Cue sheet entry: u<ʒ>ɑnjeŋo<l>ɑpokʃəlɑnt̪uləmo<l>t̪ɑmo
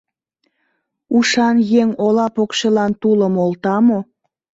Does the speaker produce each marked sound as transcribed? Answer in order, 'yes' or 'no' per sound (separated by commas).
no, yes, yes